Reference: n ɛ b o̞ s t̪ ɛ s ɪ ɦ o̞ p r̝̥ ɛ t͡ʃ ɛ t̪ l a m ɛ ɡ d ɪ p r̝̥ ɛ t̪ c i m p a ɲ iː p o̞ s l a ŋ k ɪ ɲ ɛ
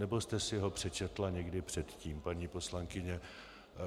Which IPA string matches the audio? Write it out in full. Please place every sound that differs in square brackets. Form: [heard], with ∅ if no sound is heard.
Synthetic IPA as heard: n ɛ b o̞ s t̪ ɛ s ɪ ɦ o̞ p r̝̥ ɛ t͡ʃ ɛ t̪ l a [ɲ] ɛ ɡ d ɪ p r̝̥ ɛ t̪ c [iː] m p a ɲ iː p o̞ s l a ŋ k ɪ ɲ ɛ